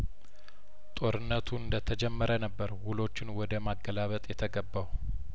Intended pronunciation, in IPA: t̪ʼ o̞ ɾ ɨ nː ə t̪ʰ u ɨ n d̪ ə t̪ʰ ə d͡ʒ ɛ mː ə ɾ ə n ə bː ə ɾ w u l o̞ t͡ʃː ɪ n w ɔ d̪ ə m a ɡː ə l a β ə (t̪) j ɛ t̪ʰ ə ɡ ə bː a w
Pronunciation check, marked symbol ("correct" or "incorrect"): incorrect